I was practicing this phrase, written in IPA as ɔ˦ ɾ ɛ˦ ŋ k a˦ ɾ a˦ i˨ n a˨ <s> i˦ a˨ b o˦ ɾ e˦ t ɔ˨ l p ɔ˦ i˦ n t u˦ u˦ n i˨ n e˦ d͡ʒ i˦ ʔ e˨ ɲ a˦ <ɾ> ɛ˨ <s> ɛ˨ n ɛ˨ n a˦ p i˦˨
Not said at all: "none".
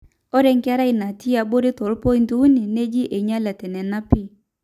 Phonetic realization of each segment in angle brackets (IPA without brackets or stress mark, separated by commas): t, l, t